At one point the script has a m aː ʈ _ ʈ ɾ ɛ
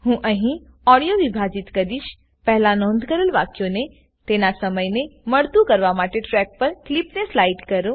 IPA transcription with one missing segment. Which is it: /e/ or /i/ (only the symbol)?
e